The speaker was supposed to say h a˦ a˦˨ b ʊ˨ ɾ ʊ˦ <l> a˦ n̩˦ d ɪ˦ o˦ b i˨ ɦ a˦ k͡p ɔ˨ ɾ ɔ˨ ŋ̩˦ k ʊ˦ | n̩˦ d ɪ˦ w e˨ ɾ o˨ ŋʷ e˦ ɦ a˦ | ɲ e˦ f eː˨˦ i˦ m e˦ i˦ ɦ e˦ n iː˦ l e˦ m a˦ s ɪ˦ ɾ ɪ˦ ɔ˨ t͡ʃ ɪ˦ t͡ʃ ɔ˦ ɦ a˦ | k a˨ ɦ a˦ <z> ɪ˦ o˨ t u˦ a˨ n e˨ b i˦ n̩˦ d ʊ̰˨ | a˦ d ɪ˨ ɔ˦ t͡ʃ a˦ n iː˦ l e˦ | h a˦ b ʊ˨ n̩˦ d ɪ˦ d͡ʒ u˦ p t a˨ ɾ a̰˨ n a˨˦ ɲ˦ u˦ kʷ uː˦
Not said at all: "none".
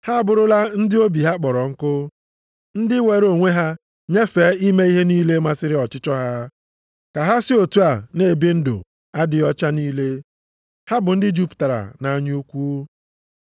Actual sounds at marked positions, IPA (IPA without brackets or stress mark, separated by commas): l, s